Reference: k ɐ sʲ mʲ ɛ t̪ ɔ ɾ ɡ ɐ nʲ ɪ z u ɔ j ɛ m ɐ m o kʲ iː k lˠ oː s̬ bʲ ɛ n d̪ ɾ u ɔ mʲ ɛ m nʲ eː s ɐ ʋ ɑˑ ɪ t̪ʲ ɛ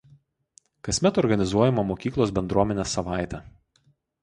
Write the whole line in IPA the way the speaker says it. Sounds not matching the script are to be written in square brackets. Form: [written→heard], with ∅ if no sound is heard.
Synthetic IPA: k ɐ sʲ mʲ ɛ t̪ ɔ ɾ ɡ ɐ nʲ ɪ z u ɔ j ɛ m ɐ m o kʲ iː k lˠ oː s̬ bʲ ɛ n d̪ ɾ u ɔ mʲ ɛ [m→∅] nʲ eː s ɐ ʋ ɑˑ ɪ t̪ʲ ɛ